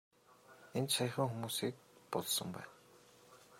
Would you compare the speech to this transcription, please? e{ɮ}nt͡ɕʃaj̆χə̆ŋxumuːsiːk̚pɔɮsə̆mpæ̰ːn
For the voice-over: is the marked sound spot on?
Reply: no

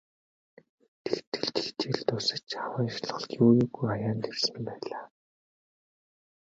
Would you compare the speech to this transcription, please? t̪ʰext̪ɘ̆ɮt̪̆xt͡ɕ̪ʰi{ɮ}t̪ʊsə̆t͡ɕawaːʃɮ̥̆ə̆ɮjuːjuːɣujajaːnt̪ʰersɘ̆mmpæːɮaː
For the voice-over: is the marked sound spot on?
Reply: yes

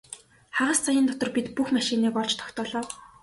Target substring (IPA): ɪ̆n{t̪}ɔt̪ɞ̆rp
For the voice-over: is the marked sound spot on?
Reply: yes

